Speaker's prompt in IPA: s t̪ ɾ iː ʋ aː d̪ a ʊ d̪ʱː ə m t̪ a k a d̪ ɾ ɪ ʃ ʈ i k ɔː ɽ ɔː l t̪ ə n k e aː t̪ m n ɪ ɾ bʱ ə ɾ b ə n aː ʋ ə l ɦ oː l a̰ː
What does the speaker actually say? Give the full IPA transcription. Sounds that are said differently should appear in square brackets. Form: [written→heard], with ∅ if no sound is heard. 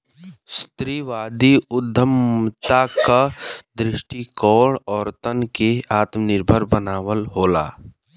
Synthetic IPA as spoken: s t̪ ɾ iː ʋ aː d̪ [a→i] ʊ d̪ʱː ə m t̪ a k a d̪ ɾ ɪ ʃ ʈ i k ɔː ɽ ɔː [l→ɾ] t̪ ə n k e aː t̪ m n ɪ ɾ bʱ ə ɾ b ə n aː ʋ ə l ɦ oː l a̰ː